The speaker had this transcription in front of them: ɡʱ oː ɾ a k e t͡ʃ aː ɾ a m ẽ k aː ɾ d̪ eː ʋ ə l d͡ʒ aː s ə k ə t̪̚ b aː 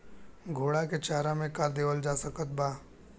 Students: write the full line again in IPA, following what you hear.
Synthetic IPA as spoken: ɡʱ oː ɽ a k e t͡ʃ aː ɾ a m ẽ k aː ɾ d̪ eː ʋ ə l d͡ʒ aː s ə k ə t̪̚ b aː